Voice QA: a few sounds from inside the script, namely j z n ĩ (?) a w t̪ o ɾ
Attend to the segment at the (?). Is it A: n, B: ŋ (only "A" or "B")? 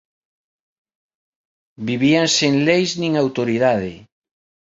B